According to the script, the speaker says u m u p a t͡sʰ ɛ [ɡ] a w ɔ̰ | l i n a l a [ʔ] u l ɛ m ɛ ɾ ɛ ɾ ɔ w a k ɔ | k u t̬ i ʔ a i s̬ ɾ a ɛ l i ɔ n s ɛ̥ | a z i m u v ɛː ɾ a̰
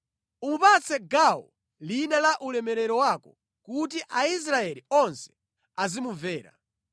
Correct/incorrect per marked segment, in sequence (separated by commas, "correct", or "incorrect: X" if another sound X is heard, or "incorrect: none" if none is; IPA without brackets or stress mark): correct, correct